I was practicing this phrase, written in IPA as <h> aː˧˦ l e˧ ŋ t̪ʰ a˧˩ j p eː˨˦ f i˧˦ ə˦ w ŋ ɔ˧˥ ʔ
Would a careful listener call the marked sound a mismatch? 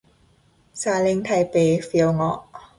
yes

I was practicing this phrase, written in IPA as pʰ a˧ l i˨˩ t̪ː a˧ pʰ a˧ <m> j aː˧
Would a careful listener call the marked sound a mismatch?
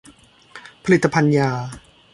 yes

